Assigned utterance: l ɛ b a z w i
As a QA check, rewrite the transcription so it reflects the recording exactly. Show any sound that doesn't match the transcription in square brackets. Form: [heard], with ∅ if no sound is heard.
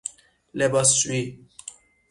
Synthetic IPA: l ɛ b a [s] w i

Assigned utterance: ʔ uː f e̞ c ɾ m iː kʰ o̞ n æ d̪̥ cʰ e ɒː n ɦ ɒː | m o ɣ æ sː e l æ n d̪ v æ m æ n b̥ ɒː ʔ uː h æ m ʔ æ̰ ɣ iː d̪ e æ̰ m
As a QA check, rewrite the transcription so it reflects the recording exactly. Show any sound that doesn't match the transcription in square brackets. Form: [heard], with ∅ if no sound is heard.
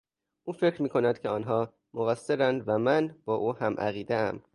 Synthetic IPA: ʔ uː f e̞ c ɾ m iː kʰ o̞ n æ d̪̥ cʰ e ɒː n ɦ ɒː | m o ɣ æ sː e [ɾ] æ n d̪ v æ m æ n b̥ ɒː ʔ uː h æ m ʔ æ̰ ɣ iː d̪ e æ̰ m

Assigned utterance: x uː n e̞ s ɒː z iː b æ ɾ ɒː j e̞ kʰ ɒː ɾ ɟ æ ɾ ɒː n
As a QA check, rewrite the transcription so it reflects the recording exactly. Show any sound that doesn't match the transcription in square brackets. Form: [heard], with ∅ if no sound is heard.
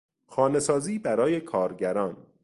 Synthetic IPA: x [ɒː] n e̞ s ɒː z iː b æ ɾ ɒː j e̞ kʰ ɒː ɾ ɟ æ ɾ ɒː n

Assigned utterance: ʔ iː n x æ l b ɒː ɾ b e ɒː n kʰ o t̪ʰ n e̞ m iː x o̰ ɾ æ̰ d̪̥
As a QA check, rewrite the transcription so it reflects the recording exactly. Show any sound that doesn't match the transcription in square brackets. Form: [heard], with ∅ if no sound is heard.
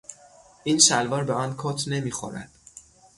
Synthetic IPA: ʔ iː n [ʃ] æ l [v] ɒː ɾ b e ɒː n kʰ o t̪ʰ n e̞ m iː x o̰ ɾ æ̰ d̪̥

